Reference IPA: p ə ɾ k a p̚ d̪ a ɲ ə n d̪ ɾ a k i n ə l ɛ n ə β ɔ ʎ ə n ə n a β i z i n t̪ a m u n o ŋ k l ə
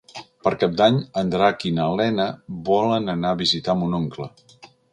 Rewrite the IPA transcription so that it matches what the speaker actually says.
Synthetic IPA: p ə ɾ k a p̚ d̪ a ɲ ə n d̪ ɾ a k i n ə l ɛ n ə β ɔ l ə n ə n a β i z i t̪ a m u n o ŋ k l ə